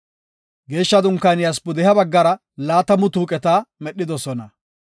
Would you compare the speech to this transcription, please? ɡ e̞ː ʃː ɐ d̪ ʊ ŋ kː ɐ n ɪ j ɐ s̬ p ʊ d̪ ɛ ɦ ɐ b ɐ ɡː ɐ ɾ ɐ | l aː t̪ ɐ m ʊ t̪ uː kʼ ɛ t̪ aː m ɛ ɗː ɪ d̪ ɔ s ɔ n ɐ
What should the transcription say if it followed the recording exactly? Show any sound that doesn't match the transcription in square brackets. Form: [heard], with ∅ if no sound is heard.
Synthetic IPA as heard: ɡ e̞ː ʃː ɐ d̪ ʊ ŋ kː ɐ n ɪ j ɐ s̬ p ʊ d̪ ɛ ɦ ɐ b ɐ ɡː ɐ ɾ ɐ | l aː t̪ ɐ m ʊ t̪ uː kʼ ɛ t̪ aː m ɛ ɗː ɪ d̪ ɔ s ɔ n ɐ